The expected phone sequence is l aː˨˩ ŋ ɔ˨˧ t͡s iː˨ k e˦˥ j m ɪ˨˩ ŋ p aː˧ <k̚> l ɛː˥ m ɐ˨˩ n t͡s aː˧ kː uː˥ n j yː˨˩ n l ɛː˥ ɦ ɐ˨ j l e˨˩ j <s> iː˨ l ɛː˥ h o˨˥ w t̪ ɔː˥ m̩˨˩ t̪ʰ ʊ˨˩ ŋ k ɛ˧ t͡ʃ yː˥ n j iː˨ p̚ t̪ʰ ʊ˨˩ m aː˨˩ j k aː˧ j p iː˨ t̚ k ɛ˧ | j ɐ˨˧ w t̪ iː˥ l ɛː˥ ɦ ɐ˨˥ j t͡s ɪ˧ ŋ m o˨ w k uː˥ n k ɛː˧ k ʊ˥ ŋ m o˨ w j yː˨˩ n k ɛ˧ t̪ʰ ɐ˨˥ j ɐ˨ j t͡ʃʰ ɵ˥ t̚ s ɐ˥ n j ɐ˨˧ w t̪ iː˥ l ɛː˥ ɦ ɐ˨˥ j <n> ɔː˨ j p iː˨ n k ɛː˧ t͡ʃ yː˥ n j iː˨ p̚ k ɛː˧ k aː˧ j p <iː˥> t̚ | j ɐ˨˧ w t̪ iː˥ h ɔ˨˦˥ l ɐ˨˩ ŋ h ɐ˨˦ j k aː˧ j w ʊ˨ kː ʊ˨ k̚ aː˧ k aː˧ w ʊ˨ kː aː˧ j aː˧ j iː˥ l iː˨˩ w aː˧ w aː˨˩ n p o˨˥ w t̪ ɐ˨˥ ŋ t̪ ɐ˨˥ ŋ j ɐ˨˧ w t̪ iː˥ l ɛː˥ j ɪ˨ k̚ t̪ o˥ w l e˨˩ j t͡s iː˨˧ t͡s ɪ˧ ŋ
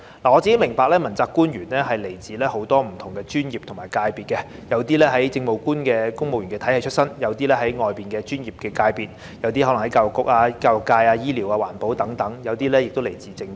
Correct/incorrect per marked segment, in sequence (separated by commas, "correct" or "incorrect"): correct, incorrect, incorrect, incorrect